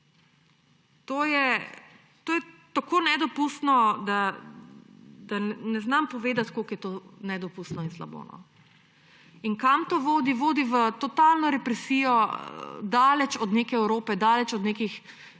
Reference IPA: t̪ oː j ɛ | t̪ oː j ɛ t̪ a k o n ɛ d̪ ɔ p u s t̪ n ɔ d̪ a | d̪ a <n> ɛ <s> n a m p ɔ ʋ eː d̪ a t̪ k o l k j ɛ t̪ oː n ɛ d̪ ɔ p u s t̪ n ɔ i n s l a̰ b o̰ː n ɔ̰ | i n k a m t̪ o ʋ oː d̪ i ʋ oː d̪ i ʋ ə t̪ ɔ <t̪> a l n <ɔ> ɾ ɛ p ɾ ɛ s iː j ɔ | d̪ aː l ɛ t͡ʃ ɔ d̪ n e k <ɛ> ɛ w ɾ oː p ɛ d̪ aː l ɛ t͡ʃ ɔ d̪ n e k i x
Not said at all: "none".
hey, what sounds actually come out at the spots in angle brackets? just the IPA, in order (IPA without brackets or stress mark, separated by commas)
n, z, t̪, ɔ, ɛ